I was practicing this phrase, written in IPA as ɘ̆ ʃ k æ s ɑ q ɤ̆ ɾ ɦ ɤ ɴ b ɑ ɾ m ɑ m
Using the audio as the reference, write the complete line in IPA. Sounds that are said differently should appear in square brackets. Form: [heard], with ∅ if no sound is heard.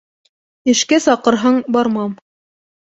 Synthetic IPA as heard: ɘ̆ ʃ k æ s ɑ q ɤ̆ ɾ ɦ ɤ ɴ b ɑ ɾ m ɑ m